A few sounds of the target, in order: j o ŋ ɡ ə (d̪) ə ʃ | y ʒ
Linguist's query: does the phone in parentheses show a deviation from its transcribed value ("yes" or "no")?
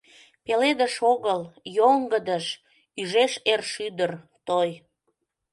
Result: no